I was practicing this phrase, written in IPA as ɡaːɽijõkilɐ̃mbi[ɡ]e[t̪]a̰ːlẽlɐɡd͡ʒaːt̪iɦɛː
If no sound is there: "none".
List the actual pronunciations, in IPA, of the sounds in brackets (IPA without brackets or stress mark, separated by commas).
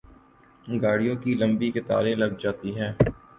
k, t̪